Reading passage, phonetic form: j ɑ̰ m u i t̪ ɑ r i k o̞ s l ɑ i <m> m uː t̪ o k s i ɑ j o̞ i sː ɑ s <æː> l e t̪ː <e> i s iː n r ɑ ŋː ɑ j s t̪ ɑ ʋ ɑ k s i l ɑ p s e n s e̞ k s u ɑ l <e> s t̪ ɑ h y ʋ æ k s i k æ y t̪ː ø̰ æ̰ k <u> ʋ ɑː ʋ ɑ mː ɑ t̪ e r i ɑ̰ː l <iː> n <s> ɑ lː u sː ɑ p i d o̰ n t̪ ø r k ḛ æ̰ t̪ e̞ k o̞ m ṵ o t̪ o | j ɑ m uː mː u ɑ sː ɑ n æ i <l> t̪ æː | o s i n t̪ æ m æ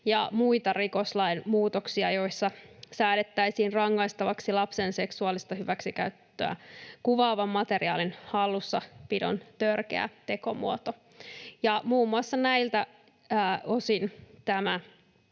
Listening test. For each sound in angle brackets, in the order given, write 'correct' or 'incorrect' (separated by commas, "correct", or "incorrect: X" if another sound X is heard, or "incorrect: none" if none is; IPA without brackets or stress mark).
incorrect: n, correct, incorrect: æ, incorrect: i, correct, incorrect: i, incorrect: h, correct